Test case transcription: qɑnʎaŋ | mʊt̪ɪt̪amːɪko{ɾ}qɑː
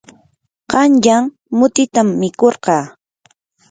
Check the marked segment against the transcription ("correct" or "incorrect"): correct